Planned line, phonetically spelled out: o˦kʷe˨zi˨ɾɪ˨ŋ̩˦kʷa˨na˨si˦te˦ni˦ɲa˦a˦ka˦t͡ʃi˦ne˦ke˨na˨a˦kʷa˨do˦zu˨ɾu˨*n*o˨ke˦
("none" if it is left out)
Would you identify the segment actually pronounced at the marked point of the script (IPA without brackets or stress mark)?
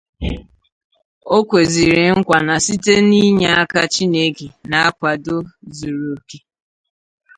none